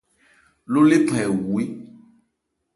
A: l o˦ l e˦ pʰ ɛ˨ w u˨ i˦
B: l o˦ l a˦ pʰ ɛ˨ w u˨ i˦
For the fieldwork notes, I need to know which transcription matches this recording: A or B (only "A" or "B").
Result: A